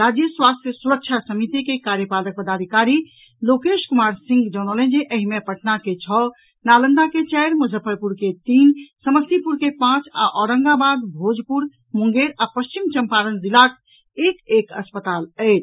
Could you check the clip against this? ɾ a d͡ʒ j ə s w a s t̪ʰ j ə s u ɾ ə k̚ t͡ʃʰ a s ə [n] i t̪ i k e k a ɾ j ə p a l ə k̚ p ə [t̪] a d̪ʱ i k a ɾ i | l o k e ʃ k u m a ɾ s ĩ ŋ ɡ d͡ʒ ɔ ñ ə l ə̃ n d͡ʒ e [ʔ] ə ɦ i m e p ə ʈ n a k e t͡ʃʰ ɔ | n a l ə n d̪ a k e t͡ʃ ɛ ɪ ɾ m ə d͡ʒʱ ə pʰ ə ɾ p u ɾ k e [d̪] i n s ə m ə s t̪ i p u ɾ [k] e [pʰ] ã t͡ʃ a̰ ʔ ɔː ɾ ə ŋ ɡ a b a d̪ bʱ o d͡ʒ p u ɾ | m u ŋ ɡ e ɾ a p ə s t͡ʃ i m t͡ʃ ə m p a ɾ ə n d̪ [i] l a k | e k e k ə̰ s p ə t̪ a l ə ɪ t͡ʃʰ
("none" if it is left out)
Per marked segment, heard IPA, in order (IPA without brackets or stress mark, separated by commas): m, d̪, ʔ, t̪, k, p, i